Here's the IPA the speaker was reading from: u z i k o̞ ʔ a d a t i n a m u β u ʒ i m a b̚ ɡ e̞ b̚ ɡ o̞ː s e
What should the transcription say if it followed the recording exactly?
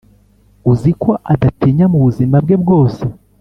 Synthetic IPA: u z i k o̞ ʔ a d a t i ɲ a m u β u z i m a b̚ ɡ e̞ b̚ ɡ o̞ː s e